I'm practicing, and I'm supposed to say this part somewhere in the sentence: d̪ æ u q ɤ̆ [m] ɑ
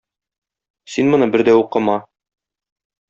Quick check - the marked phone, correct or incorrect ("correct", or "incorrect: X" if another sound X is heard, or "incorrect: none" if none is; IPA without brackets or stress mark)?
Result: correct